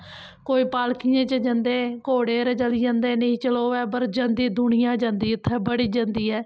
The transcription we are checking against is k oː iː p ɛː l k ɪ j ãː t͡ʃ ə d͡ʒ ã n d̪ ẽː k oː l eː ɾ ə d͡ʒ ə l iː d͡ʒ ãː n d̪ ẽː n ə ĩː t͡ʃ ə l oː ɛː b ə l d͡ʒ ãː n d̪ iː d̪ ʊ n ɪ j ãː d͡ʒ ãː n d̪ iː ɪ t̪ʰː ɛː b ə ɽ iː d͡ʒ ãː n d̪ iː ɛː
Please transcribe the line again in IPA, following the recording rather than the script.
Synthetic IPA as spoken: k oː iː p aː l k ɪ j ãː t͡ʃ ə d͡ʒ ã n d̪ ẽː k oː ɽ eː ɾ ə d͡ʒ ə l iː d͡ʒ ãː n d̪ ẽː n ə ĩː t͡ʃ ə l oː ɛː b ə ɾ d͡ʒ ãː n d̪ iː d̪ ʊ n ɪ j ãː d͡ʒ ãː n d̪ iː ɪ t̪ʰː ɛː b ə ɽ iː d͡ʒ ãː n d̪ iː ɛː